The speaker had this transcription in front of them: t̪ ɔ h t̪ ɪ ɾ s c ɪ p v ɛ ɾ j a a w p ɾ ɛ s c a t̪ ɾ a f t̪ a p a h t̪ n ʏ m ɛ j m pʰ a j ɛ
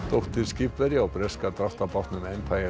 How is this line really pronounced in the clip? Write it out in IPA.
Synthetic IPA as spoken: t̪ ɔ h t̪ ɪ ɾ s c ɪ p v ɛ ɾ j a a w p ɾ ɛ s k a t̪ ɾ a f t̪ a p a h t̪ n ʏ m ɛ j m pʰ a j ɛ